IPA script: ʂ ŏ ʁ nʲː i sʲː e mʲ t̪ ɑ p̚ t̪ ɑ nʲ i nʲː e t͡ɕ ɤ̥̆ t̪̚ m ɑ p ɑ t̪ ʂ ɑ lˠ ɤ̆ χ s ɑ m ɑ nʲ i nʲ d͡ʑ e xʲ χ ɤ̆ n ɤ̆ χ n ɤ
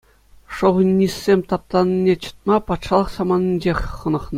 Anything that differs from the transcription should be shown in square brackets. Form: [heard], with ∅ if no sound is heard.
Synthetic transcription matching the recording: ʂ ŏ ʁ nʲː i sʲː e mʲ t̪ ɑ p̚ t̪ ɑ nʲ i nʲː e t͡ɕ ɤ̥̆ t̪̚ m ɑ p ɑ t̪ ʂ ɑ lˠ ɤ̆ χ s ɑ m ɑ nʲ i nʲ d͡ʑ e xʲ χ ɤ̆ n ɤ̆ χ n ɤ